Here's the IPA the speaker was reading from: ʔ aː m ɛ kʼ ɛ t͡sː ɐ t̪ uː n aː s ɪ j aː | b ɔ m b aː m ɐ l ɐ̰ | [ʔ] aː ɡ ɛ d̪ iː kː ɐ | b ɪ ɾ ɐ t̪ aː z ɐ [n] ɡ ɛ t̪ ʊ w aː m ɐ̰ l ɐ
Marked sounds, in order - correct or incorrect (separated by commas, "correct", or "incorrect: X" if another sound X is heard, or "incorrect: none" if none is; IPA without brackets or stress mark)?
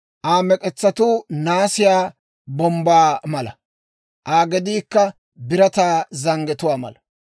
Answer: correct, incorrect: ŋ